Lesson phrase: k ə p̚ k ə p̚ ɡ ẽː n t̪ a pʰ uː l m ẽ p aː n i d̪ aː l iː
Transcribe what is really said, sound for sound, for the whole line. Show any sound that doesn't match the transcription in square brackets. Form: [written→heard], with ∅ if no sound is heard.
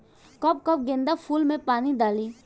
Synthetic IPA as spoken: k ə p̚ k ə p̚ ɡ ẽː n [t̪→d̪] a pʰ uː l m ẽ p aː n i d̪ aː l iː